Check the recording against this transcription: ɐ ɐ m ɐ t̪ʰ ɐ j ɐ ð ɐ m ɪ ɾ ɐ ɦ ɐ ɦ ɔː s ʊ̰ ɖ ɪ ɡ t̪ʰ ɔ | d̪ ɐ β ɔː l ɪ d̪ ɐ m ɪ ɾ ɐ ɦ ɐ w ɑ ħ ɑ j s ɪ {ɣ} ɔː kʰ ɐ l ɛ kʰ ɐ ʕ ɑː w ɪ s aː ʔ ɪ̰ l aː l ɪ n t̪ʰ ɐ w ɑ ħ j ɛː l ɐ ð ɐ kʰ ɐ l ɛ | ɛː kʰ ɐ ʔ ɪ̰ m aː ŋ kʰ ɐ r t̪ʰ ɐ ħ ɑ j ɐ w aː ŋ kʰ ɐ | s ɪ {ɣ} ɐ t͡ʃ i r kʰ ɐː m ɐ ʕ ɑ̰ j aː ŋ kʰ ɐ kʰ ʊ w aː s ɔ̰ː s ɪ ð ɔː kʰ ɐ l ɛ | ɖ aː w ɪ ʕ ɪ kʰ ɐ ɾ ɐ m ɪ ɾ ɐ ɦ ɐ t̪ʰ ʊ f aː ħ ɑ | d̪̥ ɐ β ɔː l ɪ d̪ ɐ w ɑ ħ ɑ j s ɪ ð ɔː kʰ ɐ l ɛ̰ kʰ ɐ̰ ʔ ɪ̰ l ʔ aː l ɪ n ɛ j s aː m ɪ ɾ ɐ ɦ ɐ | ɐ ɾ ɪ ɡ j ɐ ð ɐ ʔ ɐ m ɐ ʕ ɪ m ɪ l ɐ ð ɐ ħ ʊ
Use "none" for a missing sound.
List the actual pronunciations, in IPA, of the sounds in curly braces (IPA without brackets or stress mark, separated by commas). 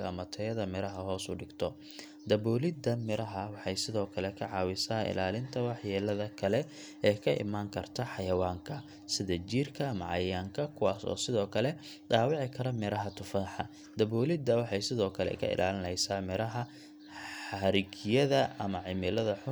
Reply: ð, ð